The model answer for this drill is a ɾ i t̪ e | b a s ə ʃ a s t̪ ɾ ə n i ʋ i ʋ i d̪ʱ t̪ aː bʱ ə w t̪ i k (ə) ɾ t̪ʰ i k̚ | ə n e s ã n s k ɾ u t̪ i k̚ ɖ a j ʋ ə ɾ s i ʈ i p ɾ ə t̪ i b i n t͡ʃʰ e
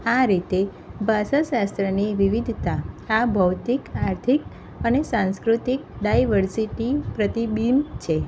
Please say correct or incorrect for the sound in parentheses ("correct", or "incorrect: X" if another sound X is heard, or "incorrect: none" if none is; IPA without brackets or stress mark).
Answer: incorrect: a